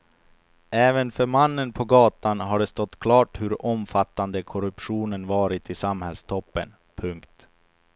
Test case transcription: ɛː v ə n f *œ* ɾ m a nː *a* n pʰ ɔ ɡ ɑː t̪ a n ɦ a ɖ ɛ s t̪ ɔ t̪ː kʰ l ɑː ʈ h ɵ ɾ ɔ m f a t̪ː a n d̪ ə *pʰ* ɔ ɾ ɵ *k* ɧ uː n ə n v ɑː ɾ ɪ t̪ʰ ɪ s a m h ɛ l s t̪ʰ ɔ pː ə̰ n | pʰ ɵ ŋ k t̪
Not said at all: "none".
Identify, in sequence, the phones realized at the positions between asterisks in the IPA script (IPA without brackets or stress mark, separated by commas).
œ, ə, kʰ, p